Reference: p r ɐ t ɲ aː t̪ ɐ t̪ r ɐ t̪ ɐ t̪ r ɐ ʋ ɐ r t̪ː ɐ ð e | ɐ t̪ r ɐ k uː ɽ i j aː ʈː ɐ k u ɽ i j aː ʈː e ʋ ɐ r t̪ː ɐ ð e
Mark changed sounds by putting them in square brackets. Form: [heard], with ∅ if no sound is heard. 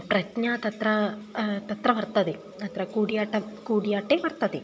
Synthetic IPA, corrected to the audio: p r ɐ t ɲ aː t̪ ɐ t̪ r ɐ t̪ ɐ t̪ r ɐ ʋ ɐ r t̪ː ɐ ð e | ɐ t̪ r ɐ k uː ɽ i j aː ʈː ɐ k [uː] ɽ i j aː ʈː e ʋ ɐ r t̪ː ɐ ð e